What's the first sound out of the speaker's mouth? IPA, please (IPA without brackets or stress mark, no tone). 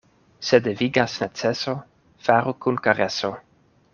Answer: s